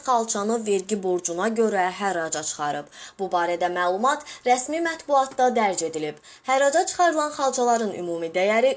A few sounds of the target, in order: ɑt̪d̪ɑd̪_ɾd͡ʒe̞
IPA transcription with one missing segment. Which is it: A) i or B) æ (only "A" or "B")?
B